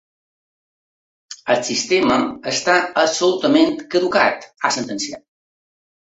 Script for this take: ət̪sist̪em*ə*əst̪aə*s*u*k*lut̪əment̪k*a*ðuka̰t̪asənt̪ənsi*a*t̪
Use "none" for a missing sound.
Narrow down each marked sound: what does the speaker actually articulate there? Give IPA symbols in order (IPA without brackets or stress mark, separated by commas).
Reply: ə, s, none, ə, a